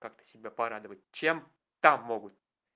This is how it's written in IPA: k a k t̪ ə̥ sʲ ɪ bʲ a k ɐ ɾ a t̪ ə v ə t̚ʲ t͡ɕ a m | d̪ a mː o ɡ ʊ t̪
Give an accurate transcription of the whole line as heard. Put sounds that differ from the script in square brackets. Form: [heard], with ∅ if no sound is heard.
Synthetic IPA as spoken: k a k t̪ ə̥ sʲ ɪ bʲ a [p] ɐ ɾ a [d̪] ə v ə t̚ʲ t͡ɕ [e] m | [t̪] a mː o ɡ ʊ t̪